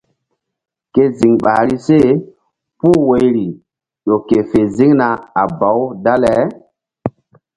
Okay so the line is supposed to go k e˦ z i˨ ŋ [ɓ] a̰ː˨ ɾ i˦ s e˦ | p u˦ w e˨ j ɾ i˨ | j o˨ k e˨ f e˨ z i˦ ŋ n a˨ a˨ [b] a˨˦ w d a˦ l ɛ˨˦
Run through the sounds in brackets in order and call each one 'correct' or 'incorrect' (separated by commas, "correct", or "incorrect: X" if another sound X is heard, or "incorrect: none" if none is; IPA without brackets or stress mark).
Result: correct, correct